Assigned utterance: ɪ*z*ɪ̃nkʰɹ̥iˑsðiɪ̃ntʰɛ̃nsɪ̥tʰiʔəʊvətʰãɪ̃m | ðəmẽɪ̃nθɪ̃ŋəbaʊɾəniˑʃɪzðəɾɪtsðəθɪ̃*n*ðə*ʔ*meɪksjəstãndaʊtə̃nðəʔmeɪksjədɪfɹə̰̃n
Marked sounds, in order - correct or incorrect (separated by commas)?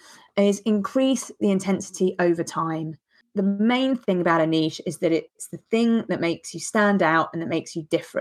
correct, incorrect, correct